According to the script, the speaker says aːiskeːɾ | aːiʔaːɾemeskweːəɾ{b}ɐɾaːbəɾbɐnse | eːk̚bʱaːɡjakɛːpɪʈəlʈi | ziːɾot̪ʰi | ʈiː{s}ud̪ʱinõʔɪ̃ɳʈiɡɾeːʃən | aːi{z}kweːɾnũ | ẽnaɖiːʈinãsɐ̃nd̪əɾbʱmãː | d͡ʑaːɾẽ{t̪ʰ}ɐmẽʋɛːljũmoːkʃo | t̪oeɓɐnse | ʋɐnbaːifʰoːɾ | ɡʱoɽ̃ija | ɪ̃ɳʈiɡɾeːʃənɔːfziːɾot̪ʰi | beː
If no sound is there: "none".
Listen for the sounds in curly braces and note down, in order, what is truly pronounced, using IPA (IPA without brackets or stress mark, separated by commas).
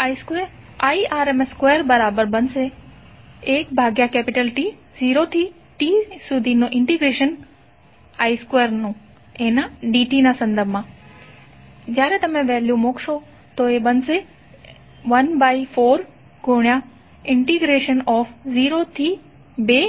b, s, s, t̪